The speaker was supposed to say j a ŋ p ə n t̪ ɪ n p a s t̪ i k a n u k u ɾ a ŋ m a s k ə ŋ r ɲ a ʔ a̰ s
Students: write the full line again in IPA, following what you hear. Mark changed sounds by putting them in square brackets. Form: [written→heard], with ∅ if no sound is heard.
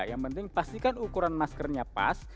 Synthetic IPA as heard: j a ŋ p ə n t̪ ɪ [n→ŋ] p a s t̪ i k a n u k u ɾ a [ŋ→n] m a s k ə [ŋ→∅] r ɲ a [ʔ→p] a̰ s